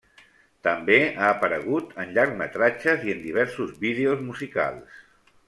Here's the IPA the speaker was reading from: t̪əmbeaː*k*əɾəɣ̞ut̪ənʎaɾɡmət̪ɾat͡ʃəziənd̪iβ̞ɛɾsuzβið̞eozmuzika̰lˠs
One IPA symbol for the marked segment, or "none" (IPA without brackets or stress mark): p